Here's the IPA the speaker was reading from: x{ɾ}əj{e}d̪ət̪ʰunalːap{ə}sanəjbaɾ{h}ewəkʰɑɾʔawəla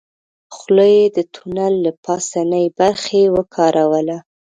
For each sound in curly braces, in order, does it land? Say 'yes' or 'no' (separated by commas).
no, yes, no, no